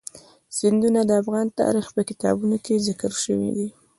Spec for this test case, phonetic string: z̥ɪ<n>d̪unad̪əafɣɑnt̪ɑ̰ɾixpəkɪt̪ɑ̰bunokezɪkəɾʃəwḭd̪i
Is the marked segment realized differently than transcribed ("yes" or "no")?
no